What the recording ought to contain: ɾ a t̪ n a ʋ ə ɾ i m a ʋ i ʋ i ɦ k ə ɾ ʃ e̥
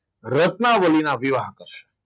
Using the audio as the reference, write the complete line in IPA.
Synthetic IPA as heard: ɾ ə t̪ n a ʋ ə l i n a ʋ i ʋ a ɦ k ə ɾ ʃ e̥